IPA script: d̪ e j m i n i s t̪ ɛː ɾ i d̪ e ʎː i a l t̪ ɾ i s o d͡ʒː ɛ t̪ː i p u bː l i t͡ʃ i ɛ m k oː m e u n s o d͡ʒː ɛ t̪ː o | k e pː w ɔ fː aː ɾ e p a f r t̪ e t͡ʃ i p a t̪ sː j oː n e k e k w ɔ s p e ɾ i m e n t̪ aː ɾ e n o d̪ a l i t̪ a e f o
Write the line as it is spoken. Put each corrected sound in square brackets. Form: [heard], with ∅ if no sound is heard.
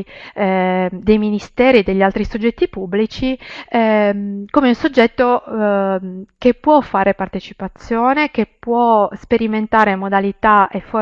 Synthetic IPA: d̪ e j m i n i s t̪ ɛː ɾ i d̪ e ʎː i a l t̪ ɾ i s o d͡ʒː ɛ t̪ː i p u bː l i t͡ʃ i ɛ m k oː m e u n s o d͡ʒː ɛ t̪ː o | k e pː w ɔ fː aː ɾ e p a [∅] r t̪ e t͡ʃ i p a t̪ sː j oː n e k e [p] w ɔ s p e ɾ i m e n t̪ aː ɾ e [m] o d̪ a l i t̪ a e f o